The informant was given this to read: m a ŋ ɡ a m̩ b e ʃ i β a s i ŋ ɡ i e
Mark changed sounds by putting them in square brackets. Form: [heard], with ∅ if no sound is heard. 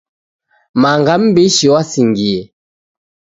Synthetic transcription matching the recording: m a ŋ ɡ a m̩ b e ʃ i [w] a s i ŋ ɡ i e

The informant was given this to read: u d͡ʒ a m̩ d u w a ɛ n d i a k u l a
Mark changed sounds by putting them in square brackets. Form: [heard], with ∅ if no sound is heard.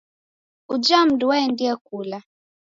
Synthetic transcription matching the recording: u d͡ʒ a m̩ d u w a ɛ n d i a k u l a

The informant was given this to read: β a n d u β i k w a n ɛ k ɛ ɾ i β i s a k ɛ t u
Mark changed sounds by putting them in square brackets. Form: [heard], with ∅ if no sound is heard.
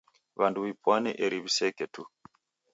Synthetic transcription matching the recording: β a n d u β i [p] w a n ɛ [ʔ] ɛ ɾ i β i s [ɛ] k ɛ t u

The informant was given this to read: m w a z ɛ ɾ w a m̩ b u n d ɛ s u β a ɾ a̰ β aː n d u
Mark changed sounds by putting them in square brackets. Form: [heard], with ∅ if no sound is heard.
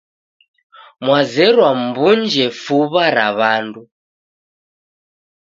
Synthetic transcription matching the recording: m w a z ɛ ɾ w a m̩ b u n [d͡ʒ] ɛ [f] u β a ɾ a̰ β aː n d u

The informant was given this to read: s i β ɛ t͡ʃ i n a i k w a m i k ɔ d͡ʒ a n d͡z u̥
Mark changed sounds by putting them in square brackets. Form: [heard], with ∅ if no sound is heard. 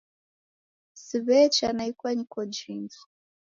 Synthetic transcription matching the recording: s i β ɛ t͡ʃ [a] n a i k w a [ɲ] i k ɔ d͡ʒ [i] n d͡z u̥

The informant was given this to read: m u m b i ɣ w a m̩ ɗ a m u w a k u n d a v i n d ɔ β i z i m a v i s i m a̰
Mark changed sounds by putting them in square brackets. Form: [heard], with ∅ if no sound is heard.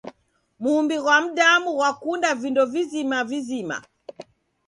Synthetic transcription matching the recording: m u m b i ɣ w a m̩ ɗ a m u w a k u n d a v i n d ɔ [v] i z i m a v i [z] i m a̰

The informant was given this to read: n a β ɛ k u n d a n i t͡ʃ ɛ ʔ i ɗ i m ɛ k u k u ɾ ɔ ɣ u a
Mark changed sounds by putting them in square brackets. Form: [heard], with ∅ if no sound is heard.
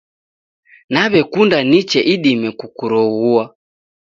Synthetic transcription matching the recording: n a β ɛ k u n d a n i t͡ʃ ɛ ʔ i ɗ i m ɛ k u k u ɾ ɔ ɣ u a

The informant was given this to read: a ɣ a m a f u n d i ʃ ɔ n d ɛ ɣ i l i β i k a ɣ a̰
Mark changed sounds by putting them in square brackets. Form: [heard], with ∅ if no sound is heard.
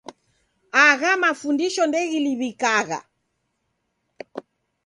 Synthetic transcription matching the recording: a ɣ a m a f u n d i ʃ ɔ n d ɛ ɣ i l i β i k a ɣ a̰

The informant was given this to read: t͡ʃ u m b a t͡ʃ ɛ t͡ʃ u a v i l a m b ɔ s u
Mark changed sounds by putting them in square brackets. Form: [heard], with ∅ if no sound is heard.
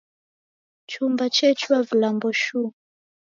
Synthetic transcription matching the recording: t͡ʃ u m b a t͡ʃ ɛ t͡ʃ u a v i l a m b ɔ [ʃ] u

